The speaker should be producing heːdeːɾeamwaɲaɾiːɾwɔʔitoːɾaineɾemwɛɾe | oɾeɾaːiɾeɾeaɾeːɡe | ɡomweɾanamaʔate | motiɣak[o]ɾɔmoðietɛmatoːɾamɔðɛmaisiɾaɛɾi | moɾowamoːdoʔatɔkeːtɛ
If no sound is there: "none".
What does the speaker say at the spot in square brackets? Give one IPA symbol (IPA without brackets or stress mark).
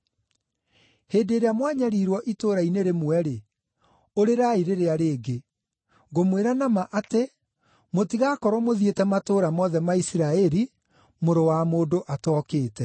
ɔ